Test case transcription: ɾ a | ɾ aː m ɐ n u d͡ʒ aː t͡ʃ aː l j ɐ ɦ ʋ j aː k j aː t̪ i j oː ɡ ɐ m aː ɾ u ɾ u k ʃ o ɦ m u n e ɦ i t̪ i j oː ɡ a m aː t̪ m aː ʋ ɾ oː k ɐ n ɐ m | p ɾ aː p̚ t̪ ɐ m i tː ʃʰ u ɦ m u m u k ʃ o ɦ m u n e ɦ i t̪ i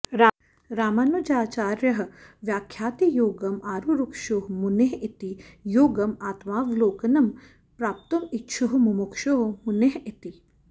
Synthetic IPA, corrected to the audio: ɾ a | ɾ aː m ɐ n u d͡ʒ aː t͡ʃ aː ɾ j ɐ ɦ ʋ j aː kʰ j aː t̪ i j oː ɡ ɐ m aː ɾ u ɾ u k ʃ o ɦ m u n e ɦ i t̪ i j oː ɡ ɐ m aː t̪ m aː ʋ l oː k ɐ n ɐ m | p ɾ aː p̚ t̪ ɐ m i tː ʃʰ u ɦ m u m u k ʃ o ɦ m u n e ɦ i t̪ i